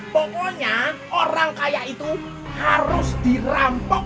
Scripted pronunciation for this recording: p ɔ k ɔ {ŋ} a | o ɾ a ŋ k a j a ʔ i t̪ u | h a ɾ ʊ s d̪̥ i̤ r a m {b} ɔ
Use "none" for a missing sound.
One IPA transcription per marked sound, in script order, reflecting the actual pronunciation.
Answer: ɲ, p

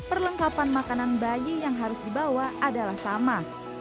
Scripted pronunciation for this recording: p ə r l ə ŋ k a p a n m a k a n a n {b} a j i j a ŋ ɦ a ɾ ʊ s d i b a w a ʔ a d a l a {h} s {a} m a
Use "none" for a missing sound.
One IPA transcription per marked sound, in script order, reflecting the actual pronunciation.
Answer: b, h, a

